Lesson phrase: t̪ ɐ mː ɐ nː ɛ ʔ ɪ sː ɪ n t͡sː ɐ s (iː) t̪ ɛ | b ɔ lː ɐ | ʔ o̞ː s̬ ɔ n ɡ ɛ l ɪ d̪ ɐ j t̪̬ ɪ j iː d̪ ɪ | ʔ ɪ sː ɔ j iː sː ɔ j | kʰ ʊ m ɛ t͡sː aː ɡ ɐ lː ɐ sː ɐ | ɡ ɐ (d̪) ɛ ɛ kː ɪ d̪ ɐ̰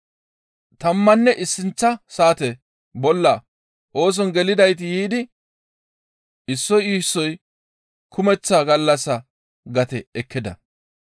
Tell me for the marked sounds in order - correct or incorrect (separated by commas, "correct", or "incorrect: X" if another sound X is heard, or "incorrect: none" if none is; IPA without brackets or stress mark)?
incorrect: aː, incorrect: t̪